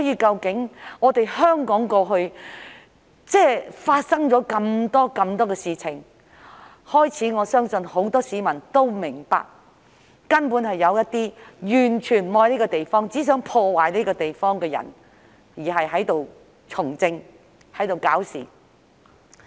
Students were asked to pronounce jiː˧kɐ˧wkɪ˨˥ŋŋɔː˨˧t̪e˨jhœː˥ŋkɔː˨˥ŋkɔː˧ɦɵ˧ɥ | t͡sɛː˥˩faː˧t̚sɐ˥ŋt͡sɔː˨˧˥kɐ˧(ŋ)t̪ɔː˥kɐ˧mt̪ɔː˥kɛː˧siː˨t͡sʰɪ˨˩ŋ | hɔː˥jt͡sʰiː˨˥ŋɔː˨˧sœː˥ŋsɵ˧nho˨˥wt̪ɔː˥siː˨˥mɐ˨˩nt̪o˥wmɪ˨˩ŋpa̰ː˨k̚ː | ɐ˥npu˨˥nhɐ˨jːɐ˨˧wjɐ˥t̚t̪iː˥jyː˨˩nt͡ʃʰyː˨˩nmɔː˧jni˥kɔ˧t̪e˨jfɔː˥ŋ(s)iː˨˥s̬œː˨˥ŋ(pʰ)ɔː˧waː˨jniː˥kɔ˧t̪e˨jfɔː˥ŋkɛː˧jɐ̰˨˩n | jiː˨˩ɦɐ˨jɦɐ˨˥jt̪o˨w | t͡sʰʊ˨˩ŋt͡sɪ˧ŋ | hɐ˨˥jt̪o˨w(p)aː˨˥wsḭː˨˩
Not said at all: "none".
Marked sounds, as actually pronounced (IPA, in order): m, t͡s, pʰ, k

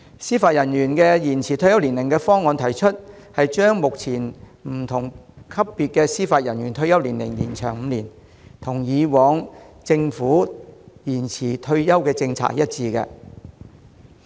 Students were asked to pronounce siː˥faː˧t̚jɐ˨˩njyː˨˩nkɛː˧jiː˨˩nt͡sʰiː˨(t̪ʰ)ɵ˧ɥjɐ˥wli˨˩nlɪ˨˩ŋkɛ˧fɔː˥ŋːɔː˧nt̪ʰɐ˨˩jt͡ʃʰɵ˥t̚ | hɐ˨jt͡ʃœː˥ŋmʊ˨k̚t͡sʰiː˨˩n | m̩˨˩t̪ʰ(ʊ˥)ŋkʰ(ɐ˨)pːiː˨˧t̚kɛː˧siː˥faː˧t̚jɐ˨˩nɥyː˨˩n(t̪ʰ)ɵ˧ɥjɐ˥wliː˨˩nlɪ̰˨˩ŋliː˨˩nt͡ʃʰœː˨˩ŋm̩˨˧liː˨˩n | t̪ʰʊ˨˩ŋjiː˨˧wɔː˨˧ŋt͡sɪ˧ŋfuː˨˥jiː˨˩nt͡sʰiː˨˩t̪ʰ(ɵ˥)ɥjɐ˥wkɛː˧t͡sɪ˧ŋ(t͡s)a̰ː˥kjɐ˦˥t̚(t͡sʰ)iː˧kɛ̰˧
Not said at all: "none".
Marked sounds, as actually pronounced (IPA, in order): t̪ʰ, ʊ˨˩, ɐ˥, t̪ʰ, ɵ˧, t͡sʰ, t͡s

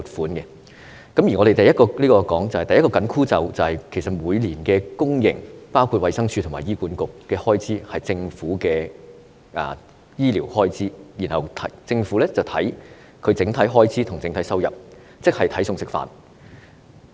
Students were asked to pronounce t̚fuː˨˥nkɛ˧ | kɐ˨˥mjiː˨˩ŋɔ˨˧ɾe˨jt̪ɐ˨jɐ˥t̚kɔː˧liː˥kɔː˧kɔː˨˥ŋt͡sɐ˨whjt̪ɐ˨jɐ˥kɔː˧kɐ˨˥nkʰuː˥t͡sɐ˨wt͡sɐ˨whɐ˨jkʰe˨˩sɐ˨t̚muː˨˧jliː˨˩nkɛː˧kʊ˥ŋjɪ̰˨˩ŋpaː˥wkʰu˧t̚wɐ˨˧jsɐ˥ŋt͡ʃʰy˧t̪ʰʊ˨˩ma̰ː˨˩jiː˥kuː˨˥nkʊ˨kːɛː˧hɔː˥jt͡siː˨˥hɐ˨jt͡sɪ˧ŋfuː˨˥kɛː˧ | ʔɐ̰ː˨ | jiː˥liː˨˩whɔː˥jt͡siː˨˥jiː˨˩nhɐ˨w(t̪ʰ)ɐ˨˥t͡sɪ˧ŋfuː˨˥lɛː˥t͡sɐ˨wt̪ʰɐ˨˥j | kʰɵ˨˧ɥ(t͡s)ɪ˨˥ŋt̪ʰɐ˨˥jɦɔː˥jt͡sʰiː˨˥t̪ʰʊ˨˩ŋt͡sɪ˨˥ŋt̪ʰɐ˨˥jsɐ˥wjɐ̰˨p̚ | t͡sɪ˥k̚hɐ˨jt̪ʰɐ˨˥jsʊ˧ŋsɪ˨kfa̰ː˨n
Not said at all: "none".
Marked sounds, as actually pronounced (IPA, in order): t̪ʰ, t͡s

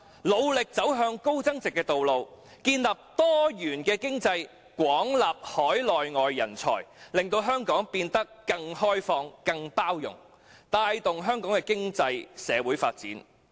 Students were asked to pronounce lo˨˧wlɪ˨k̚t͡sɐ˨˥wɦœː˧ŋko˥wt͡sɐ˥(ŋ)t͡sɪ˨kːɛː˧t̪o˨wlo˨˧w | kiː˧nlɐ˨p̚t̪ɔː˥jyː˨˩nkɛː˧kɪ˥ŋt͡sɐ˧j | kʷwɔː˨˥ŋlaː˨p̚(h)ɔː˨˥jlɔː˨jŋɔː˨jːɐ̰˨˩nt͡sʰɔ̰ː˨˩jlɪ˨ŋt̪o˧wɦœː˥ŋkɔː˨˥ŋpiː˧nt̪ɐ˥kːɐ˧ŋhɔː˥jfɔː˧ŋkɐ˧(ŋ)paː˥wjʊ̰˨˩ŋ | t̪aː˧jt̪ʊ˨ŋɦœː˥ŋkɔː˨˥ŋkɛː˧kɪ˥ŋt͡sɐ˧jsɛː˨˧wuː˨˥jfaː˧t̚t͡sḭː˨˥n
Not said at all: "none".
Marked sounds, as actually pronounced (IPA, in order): ŋ, h, ŋ

